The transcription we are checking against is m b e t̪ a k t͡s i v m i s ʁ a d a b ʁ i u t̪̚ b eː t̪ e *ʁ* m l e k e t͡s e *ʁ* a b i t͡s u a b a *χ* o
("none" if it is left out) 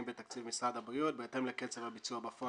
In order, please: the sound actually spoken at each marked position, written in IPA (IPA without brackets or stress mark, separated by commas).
none, v, f